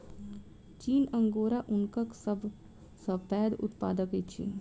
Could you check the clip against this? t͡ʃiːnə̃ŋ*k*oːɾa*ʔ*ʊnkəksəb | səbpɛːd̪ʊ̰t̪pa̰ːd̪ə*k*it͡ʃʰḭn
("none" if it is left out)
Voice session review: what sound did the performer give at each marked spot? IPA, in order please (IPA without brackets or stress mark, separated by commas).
ɡ, ʔ, k